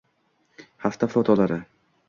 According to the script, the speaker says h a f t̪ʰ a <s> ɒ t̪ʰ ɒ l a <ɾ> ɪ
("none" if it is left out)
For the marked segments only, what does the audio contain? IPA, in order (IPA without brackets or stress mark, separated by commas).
f, ɾ